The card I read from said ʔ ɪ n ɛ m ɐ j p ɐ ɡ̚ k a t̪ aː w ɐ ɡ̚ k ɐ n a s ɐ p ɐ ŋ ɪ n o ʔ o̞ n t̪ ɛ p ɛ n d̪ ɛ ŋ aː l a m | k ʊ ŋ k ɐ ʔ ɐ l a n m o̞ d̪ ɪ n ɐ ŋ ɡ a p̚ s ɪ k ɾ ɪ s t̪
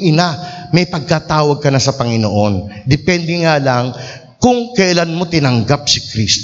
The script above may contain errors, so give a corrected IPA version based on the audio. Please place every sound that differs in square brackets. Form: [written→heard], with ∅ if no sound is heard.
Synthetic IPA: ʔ ɪ n [ɛ→a] m ɐ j p ɐ ɡ̚ k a t̪ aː w ɐ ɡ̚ k ɐ n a s ɐ p ɐ ŋ ɪ n o ʔ o̞ n [t̪→d̪] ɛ p ɛ n d̪ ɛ ŋ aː l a [m→ŋ] | k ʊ ŋ k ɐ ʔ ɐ l a n m o̞ [d̪→t̪] ɪ n ɐ ŋ ɡ a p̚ s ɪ k ɾ [ɪ→i] s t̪